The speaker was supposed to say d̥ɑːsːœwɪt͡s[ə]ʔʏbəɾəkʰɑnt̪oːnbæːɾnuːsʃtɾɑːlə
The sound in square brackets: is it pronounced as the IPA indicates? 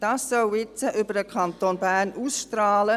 yes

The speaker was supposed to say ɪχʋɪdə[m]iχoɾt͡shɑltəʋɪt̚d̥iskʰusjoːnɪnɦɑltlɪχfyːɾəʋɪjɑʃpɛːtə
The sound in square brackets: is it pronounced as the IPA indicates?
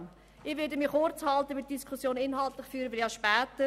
yes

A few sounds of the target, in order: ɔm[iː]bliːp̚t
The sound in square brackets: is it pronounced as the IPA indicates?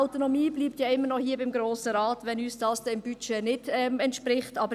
yes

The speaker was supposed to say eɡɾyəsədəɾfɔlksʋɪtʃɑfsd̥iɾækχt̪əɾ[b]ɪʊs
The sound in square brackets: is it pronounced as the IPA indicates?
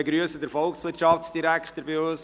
yes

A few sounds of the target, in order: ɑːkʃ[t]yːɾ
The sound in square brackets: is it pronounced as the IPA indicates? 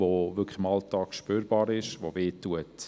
no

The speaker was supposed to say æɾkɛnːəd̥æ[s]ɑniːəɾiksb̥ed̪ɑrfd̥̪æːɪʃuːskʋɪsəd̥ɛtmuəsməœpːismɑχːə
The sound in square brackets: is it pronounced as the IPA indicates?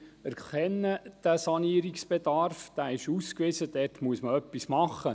yes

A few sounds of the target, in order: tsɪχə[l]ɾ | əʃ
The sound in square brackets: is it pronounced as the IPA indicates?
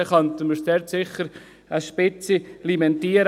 no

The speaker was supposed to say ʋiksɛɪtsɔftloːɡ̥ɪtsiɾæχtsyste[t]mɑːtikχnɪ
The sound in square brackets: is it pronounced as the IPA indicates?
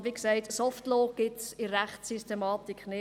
no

